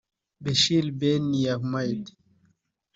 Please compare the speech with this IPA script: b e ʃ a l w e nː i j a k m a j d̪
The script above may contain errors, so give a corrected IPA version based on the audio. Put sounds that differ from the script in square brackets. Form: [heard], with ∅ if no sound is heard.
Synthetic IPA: b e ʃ [i] l [b] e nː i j a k m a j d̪